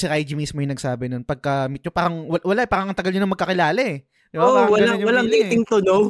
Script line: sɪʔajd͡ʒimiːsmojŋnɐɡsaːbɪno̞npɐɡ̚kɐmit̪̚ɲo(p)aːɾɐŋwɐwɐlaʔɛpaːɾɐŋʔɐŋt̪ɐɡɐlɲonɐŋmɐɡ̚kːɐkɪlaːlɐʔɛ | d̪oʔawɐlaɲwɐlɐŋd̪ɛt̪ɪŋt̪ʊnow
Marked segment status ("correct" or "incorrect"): correct